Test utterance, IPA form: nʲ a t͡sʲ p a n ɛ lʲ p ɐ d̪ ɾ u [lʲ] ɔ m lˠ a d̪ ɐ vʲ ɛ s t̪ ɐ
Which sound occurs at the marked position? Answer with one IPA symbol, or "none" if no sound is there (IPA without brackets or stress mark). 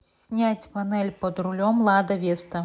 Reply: lʲ